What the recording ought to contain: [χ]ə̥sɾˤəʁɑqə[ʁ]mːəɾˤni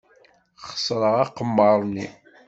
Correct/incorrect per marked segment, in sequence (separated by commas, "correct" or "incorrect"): correct, incorrect